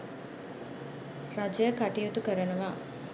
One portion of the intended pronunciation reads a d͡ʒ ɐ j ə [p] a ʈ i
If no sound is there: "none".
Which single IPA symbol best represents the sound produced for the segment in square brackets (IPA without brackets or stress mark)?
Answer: k